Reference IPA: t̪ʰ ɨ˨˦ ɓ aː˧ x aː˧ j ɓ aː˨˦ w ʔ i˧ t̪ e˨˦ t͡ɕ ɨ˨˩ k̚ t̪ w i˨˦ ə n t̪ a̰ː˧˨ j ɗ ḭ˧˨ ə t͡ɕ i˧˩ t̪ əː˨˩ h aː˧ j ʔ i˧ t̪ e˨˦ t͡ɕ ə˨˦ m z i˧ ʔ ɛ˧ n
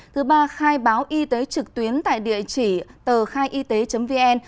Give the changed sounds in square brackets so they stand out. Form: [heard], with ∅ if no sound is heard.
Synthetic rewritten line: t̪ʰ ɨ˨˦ ɓ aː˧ x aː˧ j ɓ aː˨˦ w ʔ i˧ t̪ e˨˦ t͡ɕ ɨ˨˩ k̚ t̪ w i˨˦ ə n t̪ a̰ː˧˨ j ɗ ḭ˧˨ ə t͡ɕ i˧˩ t̪ əː˨˩ [x] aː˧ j ʔ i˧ t̪ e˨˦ t͡ɕ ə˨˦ m [v] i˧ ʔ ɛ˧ n